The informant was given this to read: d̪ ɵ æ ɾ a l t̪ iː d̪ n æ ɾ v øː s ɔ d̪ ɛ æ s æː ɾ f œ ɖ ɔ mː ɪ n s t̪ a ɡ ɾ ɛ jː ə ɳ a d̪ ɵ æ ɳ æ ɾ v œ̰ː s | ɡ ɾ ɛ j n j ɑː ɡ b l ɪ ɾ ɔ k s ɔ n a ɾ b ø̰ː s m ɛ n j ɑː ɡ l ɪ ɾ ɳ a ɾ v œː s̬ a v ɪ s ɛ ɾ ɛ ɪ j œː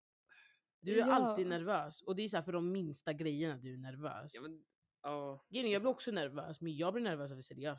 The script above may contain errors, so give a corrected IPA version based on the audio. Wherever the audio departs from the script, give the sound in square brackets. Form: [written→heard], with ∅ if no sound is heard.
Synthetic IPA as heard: d̪ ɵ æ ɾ a l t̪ iː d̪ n æ ɾ v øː s ɔ d̪ ɛ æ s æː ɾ f œ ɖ ɔ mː ɪ n s t̪ a ɡ ɾ ɛ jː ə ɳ a d̪ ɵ æ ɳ æ ɾ v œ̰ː s | ɡ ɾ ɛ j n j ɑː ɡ b l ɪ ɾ ɔ k s ɔ n [a→æ] ɾ [b→v] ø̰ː s m ɛ n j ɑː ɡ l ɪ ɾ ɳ [a→æ] ɾ v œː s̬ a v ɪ s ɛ ɾ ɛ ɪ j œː